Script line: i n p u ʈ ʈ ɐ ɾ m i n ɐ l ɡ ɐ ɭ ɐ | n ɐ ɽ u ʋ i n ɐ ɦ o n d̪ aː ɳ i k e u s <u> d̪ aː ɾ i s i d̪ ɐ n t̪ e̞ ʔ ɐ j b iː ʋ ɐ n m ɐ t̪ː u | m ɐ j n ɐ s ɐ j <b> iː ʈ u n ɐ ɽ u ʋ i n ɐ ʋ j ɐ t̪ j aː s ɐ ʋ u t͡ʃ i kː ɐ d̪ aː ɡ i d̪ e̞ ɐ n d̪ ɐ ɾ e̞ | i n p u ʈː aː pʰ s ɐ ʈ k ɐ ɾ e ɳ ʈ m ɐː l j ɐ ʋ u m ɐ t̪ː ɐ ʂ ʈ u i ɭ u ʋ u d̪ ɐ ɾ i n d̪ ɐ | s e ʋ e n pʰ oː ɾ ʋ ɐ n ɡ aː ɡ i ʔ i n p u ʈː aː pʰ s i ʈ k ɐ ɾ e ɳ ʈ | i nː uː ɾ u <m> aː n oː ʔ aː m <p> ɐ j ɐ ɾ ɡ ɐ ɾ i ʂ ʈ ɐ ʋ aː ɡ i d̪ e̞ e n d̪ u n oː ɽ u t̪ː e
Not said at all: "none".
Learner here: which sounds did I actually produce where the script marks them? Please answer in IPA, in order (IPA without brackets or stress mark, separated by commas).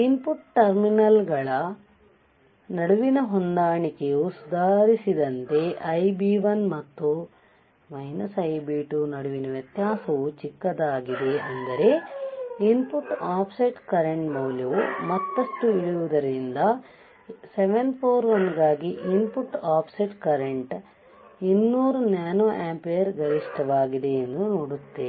u, b, n, p